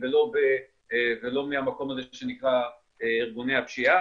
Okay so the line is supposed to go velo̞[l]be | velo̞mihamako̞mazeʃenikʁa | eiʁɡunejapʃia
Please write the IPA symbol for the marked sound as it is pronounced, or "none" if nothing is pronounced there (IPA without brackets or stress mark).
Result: none